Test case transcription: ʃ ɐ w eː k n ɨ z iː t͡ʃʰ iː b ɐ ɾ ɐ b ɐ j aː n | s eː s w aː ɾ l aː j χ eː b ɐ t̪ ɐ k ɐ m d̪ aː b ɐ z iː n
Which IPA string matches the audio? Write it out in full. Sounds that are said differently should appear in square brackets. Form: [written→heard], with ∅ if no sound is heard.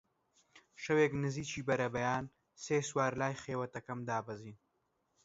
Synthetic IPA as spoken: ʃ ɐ w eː k n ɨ z iː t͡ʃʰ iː b ɐ ɾ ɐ b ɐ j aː n | s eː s w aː ɾ l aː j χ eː [b→w] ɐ t̪ ɐ k ɐ m d̪ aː b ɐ z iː n